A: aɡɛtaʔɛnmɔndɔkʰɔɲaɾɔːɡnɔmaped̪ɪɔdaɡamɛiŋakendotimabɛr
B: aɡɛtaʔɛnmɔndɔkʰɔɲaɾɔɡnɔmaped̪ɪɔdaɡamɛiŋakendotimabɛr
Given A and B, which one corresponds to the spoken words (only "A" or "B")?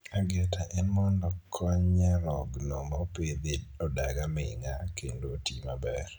B